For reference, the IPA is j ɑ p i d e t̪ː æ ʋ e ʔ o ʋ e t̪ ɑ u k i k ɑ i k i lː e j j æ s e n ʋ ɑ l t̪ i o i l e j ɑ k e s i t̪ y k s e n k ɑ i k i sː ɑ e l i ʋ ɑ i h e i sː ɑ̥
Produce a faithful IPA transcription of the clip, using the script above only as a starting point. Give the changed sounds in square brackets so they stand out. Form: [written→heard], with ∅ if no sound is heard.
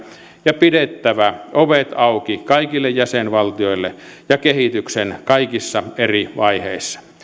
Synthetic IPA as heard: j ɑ p i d e t̪ː æ ʋ [e→æ] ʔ o ʋ e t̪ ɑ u k i k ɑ i k i lː e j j æ s e n ʋ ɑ l t̪ i o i [l→lː] e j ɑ k e [s→h] i t̪ y k s e n k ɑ i k i sː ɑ e [l→r] i ʋ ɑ i h e i sː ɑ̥